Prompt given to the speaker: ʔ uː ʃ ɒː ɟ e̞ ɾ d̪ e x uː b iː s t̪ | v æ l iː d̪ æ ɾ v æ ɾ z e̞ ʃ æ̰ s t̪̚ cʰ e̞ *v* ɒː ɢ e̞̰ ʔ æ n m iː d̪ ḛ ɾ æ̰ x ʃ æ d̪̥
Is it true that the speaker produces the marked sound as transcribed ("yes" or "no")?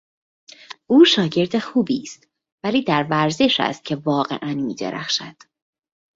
yes